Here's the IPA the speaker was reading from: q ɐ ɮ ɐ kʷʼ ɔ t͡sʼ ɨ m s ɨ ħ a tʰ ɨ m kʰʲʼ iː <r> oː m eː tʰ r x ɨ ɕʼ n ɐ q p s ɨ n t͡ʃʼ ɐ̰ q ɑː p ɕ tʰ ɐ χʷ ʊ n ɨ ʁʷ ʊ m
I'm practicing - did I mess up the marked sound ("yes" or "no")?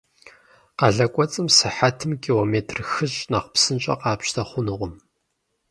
yes